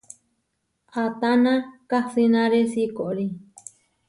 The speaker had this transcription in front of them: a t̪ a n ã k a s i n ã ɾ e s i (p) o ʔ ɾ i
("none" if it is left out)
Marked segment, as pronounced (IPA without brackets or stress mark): k